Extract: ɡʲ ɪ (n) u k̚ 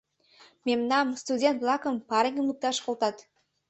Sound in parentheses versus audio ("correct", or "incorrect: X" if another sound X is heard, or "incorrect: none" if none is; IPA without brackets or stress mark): incorrect: m